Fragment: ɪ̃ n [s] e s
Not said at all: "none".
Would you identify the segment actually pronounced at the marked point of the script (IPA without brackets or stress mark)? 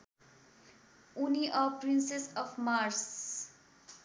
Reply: s